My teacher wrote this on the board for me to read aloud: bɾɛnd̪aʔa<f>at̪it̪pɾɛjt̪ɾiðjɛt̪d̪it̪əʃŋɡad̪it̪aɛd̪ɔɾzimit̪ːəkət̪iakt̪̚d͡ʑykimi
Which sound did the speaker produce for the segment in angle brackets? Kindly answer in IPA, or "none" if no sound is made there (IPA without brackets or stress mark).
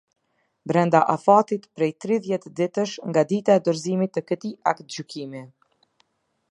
f